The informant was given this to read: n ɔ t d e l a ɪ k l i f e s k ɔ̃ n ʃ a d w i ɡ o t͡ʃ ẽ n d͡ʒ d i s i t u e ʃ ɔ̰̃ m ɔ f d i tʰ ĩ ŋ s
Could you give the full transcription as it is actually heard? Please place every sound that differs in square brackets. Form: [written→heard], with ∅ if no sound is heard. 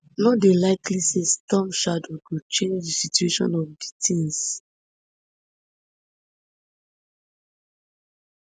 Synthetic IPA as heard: n ɔ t d e l a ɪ k l i [f→s] e s [k→t] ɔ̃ [n→m] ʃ a d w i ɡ o t͡ʃ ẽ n d͡ʒ d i s i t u e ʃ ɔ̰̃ [m→n] ɔ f d i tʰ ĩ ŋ s